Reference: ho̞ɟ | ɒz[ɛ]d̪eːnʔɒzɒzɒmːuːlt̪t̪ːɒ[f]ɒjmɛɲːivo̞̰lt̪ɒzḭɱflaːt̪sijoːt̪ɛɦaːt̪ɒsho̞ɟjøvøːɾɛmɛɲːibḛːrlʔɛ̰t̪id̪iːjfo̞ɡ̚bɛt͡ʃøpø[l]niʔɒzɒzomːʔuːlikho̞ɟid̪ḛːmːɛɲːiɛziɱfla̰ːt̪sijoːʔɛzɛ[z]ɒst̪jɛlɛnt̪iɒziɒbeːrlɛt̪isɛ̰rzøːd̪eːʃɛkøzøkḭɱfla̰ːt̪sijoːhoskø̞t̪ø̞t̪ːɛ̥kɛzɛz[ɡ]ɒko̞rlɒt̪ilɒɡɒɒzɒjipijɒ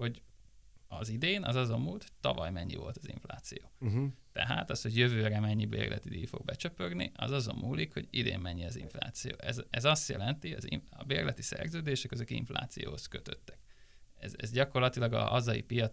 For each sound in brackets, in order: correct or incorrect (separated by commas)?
incorrect, incorrect, incorrect, correct, incorrect